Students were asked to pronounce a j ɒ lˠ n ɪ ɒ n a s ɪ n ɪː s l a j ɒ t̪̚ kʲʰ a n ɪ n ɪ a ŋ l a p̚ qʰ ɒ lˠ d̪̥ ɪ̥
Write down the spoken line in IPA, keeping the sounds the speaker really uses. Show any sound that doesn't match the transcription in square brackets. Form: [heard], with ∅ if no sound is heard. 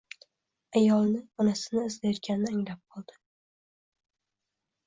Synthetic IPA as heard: a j ɒ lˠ n ɪ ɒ n a s ɪ n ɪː [z] l a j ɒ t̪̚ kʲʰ a n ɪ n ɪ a ŋ l a p̚ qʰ ɒ lˠ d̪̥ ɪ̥

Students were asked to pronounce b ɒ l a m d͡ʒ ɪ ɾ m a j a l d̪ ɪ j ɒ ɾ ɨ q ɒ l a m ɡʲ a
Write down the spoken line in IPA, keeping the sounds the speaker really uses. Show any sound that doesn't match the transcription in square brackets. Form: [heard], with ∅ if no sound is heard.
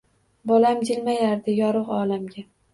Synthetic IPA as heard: b ɒ l a m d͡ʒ ɪ [l] m a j a [ɾ] d̪ ɪ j ɒ ɾ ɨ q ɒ l a m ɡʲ a

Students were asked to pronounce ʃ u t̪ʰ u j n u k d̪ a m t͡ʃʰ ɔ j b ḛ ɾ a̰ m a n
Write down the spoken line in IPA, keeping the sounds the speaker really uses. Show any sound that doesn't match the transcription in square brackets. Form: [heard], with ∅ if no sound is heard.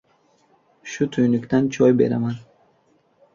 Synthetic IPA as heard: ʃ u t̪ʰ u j n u k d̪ a [n] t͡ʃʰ ɔ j b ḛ ɾ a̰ m a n

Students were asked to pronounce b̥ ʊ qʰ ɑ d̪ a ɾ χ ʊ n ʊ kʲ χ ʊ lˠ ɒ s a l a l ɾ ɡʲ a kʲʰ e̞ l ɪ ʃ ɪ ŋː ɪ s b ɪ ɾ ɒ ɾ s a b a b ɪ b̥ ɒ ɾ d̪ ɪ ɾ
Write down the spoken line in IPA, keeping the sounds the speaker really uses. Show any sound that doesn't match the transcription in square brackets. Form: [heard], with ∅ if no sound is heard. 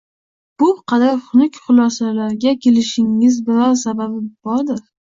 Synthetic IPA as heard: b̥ ʊ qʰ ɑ d̪ a ɾ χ ʊ n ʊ kʲ χ ʊ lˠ ɒ s a l a [∅] ɾ ɡʲ a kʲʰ e̞ l ɪ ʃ ɪ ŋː ɪ [z] b ɪ ɾ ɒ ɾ s a b a b ɪ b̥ ɒ ɾ d̪ ɪ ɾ

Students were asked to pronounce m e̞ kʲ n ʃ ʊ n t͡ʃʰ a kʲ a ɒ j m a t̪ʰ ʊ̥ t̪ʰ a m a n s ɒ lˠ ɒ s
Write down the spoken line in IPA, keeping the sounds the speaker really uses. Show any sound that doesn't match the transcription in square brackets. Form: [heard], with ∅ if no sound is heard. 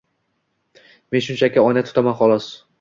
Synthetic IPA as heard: m e̞ [∅] n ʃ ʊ n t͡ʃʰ a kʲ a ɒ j [n] a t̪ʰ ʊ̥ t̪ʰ a m a n [χ] ɒ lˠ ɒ s

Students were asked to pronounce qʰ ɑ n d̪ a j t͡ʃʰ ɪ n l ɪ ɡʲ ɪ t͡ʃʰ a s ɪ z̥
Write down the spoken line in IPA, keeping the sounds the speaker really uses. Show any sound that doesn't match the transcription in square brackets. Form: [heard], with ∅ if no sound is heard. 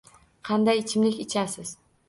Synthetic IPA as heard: qʰ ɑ n d̪ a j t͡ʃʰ ɪ [m] l ɪ [kʲ] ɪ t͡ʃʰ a s ɪ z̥

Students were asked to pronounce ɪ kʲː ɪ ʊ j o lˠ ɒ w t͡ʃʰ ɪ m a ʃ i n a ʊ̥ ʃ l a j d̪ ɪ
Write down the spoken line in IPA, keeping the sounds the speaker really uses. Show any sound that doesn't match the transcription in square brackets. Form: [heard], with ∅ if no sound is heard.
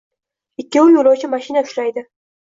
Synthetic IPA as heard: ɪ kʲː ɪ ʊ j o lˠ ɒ w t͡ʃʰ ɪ m a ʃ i n a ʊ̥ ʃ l a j d̪ ɪ

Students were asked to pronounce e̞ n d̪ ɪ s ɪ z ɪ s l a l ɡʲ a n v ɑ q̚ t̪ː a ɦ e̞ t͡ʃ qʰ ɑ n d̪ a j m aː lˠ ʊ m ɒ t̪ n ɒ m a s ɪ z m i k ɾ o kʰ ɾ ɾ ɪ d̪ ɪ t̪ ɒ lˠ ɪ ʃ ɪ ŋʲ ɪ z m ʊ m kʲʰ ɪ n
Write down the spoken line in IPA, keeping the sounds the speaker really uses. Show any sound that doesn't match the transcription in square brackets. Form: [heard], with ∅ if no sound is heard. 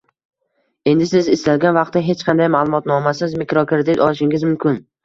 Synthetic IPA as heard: e̞ n d̪ ɪ s ɪ z ɪ s l a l ɡʲ a n v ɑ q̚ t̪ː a ɦ e̞ t͡ʃ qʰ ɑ n d̪ a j m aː lˠ ʊ m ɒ t̪ n ɒ m a s ɪ z m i k ɾ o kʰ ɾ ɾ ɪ d̪ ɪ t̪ ɒ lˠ ɪ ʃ ɪ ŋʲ ɪ z m ʊ m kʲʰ ɪ n

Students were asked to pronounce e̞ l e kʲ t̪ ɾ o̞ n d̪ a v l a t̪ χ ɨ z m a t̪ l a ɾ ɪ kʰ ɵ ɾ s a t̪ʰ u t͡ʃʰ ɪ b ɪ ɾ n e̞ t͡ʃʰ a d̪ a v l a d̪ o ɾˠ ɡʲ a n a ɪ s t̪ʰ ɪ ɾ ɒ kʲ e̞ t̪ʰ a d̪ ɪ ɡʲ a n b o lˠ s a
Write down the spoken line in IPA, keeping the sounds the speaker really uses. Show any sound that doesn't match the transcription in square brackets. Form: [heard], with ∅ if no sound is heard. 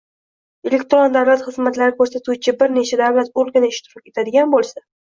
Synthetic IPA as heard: e̞ l e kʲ t̪ ɾ o̞ n d̪ a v l a t̪ χ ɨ z m a t̪ l a ɾ ɪ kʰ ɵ ɾ s a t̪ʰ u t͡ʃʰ ɪ b ɪ ɾ n e̞ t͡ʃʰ a d̪ a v l a [t̪] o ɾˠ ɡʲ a n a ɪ [ʃ] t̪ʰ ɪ ɾ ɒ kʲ e̞ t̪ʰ a d̪ ɪ ɡʲ a n b o lˠ s a

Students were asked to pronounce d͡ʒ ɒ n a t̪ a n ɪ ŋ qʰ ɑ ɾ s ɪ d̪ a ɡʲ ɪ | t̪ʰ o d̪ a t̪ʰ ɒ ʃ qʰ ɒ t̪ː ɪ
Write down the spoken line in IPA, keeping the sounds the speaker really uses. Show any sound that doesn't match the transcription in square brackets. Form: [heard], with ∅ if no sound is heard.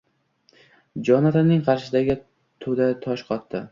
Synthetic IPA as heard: d͡ʒ ɒ n a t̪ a n ɪ ŋ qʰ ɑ ɾ [ʃ] ɪ d̪ a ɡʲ ɪ | t̪ʰ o d̪ a t̪ʰ ɒ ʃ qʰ ɒ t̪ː ɪ

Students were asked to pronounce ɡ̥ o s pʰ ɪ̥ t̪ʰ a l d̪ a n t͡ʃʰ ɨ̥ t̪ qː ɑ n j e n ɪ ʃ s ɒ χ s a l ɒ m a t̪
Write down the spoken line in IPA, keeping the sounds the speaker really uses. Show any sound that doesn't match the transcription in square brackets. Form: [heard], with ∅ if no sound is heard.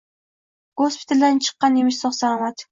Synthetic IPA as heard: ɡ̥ o s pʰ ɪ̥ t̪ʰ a l d̪ a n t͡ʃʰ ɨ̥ [∅] qː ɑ n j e [m] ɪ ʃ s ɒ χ s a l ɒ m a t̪

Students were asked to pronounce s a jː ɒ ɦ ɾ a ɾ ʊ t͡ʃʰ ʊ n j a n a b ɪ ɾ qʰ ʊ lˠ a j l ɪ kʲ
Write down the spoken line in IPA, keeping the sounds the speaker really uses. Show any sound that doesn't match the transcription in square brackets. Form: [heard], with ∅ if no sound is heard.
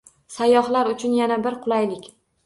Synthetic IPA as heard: s a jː ɒ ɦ [l] a ɾ ʊ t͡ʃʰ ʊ n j a n a b ɪ ɾ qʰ ʊ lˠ a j l ɪ kʲ

